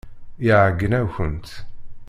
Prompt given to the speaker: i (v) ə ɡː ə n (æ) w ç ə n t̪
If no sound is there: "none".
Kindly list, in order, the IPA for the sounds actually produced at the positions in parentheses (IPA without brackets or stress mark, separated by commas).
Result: ʕ, æ